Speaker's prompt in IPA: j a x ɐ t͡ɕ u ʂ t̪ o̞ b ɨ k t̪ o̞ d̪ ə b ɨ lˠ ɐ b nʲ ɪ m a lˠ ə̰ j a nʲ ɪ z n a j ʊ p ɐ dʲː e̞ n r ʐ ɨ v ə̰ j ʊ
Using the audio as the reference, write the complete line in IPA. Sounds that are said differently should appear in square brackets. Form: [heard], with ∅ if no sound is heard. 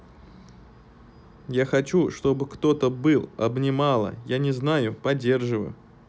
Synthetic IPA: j a x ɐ t͡ɕ u ʂ t̪ o̞ b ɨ k t̪ o̞ [t̪] ə b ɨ lˠ ɐ b nʲ ɪ m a lˠ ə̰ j a nʲ ɪ z n a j ʊ p ɐ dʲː e̞ [∅] r ʐ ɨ v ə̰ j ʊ

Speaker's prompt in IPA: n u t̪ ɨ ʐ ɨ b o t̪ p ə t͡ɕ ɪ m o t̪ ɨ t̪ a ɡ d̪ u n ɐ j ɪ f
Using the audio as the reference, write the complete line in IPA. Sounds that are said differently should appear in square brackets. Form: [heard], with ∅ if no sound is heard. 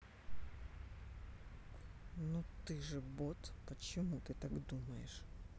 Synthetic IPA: n u t̪ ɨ ʐ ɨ b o t̪ p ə t͡ɕ ɪ m [u] t̪ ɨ t̪ a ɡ d̪ u [m] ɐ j ɪ [ʂ]

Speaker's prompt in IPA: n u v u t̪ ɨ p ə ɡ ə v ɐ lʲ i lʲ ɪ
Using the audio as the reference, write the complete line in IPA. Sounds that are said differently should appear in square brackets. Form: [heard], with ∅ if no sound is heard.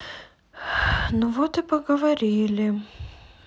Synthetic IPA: n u v [o] t̪ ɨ p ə ɡ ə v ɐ [ɾʲ] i lʲ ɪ

